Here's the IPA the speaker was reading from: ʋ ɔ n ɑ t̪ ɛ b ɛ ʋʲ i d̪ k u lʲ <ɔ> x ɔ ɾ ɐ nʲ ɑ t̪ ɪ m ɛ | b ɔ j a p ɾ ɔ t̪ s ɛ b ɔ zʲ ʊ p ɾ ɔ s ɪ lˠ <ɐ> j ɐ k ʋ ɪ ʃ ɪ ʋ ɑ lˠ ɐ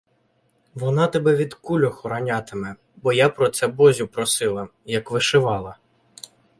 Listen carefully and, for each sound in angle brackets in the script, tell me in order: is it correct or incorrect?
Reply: correct, correct

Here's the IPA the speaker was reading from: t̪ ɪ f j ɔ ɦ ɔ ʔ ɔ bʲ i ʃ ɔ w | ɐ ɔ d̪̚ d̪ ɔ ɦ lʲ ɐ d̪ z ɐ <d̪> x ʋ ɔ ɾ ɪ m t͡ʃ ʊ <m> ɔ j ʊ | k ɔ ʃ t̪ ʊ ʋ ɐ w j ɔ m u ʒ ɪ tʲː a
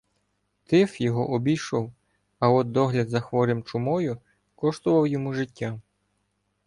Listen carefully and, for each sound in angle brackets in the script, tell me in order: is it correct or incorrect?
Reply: incorrect: none, correct

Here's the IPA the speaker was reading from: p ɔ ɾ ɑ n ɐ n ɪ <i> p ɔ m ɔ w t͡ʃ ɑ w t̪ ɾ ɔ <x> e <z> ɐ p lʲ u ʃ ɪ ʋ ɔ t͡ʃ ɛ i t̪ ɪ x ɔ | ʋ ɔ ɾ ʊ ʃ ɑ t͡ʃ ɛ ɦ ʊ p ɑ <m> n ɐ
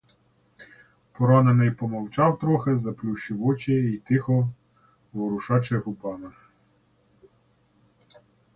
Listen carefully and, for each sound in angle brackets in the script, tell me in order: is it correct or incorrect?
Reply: incorrect: j, correct, correct, incorrect: none

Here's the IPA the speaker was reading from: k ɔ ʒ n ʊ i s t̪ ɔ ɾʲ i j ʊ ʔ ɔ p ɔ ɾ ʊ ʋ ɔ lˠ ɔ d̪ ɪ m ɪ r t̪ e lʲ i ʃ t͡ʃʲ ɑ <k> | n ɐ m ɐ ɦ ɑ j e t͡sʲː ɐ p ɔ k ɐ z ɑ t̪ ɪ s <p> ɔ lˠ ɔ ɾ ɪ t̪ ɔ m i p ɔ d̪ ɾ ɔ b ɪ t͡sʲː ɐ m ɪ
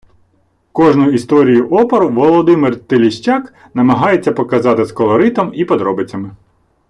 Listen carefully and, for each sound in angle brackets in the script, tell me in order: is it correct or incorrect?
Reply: correct, incorrect: k

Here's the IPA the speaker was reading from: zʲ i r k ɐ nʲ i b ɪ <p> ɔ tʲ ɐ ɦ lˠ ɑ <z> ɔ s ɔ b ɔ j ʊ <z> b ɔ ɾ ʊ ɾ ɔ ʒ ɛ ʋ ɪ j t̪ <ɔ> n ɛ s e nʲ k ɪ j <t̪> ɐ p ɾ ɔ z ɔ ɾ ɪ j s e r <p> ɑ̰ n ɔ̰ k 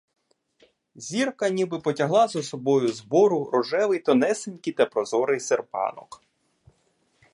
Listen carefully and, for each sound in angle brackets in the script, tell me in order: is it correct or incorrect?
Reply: correct, correct, correct, correct, correct, correct

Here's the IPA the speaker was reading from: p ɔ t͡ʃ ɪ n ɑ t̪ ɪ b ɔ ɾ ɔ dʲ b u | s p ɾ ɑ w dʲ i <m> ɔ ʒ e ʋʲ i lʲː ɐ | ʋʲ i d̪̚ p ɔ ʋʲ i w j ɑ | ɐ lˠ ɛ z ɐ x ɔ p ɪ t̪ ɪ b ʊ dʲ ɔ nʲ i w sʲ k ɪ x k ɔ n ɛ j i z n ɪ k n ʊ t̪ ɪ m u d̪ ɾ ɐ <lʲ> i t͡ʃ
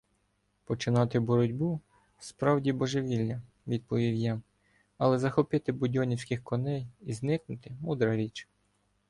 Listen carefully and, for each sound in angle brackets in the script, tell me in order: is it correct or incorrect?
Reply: incorrect: b, incorrect: ɾʲ

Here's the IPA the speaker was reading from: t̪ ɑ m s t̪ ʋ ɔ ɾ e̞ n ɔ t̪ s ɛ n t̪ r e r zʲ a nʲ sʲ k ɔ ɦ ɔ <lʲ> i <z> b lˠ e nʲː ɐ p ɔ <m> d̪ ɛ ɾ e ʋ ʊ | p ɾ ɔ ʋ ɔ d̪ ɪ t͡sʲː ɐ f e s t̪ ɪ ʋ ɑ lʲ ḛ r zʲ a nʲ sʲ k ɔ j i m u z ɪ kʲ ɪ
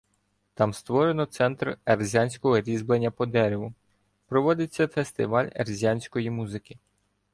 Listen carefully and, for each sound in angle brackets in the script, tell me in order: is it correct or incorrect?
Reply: incorrect: ɾʲ, correct, incorrect: none

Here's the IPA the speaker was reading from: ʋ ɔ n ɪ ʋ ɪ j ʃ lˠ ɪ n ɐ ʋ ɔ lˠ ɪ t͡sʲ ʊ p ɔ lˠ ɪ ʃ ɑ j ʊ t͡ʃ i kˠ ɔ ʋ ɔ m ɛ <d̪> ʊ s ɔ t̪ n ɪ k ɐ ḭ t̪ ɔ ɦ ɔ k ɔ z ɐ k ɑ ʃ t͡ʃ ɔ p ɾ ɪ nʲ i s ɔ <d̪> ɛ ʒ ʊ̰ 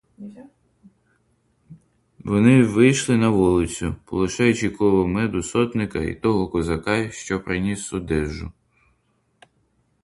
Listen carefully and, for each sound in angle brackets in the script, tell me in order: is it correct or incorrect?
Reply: correct, correct

